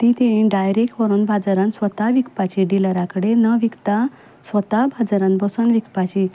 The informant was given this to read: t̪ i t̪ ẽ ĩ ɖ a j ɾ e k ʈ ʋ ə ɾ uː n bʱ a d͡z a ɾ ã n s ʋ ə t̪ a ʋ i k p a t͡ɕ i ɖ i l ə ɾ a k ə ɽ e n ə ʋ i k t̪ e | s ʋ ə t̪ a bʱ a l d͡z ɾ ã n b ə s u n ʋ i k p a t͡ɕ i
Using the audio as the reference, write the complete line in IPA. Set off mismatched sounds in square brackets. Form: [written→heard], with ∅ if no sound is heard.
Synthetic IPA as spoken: t̪ i t̪ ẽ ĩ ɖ a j ɾ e k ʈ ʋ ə ɾ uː n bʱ a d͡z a ɾ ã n s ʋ ə t̪ a ʋ i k p a t͡ɕ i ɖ i l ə ɾ a k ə ɽ e n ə ʋ i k t̪ [e→a] | s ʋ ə t̪ a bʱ a [l→∅] d͡z ɾ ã n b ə s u n ʋ i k p a t͡ɕ i